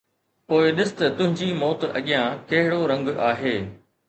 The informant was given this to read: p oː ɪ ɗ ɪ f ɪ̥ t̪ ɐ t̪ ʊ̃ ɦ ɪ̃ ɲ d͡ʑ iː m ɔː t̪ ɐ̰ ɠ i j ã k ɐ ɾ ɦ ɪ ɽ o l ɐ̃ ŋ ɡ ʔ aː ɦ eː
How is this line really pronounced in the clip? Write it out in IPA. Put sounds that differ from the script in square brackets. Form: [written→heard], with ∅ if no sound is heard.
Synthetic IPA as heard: p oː ɪ ɗ ɪ [f→s] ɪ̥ t̪ ɐ t̪ ʊ̃ ɦ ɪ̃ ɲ d͡ʑ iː m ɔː t̪ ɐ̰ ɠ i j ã k ɐ [ɾ→∅] ɦ ɪ ɽ o [l→ɾ] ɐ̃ ŋ ɡ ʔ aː ɦ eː

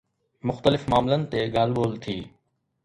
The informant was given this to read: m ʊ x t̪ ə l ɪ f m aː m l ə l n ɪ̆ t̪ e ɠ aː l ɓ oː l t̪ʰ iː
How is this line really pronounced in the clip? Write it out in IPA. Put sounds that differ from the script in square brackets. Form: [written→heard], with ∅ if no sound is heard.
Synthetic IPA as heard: m ʊ x t̪ ə l ɪ f m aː m l ə [l→∅] n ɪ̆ t̪ e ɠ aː l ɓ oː l t̪ʰ iː

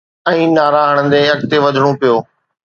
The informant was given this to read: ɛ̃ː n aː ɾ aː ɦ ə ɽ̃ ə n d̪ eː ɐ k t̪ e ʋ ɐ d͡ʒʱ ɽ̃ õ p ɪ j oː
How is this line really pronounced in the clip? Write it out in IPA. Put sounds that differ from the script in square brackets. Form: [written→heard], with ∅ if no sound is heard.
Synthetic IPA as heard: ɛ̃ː n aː ɾ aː ɦ ə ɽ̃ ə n d̪ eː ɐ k t̪ e ʋ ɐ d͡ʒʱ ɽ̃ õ p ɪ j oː

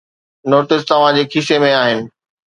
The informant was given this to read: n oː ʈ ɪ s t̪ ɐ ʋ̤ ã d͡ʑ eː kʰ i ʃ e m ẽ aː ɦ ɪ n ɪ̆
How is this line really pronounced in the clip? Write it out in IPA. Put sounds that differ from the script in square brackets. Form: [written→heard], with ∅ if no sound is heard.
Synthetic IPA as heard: n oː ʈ ɪ s t̪ ɐ ʋ̤ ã d͡ʑ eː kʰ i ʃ e m ẽ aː ɦ ɪ n ɪ̆

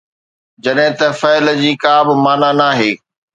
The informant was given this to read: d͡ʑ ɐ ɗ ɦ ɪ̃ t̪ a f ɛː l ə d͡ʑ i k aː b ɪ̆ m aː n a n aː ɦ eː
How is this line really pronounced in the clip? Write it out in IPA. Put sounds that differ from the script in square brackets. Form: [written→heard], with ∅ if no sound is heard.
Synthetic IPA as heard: d͡ʑ ɐ ɗ ɦ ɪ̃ t̪ [a→ɐ] f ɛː l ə d͡ʑ [i→iː] k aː b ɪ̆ m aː n a n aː ɦ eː

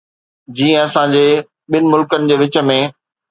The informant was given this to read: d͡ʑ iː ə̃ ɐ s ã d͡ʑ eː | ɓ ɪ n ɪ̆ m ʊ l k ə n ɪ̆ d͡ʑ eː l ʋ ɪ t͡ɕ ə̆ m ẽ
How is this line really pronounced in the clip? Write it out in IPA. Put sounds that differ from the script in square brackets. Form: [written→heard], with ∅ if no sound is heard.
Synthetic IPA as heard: d͡ʑ iː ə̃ ɐ s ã d͡ʑ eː | ɓ ɪ n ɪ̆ m ʊ l k ə n ɪ̆ d͡ʑ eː [l→∅] ʋ ɪ t͡ɕ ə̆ m ẽ

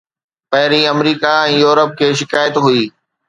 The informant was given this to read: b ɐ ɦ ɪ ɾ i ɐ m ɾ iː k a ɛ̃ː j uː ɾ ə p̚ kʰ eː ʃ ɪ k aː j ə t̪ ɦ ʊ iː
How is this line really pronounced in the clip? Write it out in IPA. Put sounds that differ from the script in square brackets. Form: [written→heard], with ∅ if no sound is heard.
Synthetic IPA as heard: [b→p] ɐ ɦ ɪ ɾ i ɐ m ɾ iː k a ɛ̃ː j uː ɾ ə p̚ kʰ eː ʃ ɪ k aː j ə t̪ ɦ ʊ iː

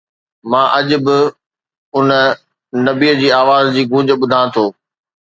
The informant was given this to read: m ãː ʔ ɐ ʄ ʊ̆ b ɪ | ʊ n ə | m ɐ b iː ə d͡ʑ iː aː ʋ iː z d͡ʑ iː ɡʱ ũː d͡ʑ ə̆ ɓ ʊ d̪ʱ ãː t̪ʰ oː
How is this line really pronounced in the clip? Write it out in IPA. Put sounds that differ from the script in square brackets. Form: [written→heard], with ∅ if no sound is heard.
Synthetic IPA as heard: m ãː ʔ ɐ ʄ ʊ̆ b ɪ | ʊ n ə | [m→n] ɐ b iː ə d͡ʑ iː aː ʋ [iː→aː] z d͡ʑ iː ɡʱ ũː d͡ʑ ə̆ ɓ ʊ d̪ʱ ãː t̪ʰ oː

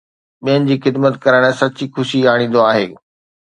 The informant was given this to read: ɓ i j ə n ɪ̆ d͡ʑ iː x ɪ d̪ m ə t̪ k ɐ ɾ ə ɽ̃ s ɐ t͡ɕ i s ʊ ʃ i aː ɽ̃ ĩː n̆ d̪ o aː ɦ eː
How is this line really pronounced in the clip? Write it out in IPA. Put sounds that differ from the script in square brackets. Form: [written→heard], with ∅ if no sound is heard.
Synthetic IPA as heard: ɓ i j ə n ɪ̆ d͡ʑ iː x ɪ d̪ m ə t̪ k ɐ ɾ ə ɽ̃ s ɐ t͡ɕ i [s→x] ʊ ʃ i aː ɽ̃ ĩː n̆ d̪ o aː ɦ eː

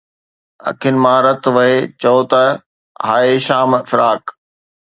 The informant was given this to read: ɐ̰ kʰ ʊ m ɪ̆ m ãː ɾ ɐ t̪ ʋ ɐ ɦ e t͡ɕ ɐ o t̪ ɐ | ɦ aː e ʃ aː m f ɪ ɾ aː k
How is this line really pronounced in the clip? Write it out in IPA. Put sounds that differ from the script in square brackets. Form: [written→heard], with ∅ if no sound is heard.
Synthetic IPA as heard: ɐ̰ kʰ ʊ [m→n] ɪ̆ m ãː ɾ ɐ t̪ ʋ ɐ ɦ e t͡ɕ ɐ o t̪ ɐ | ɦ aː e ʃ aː m f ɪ ɾ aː k

